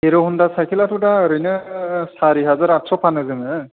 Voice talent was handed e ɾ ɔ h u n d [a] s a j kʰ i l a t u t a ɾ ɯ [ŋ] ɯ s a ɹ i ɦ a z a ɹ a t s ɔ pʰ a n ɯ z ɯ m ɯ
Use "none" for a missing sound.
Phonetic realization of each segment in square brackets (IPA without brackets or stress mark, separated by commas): a, n